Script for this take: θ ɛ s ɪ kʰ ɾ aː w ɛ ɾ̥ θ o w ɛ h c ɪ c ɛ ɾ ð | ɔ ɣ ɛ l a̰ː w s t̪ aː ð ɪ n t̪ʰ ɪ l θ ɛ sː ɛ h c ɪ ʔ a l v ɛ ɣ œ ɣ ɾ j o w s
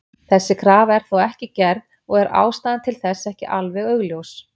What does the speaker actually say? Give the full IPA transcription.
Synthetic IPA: θ ɛ sː ɪ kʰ ɾ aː v ɛ ɾ̥ θ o w ɛ h c ɪ c ɛ ɾ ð | ɔ ɣ ɛ ɾ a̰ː w s t̪ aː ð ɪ n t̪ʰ ɪ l θ ɛ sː ɛ h c ɪ ʔ a l v ɛ ɣ œ ɣ l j o w s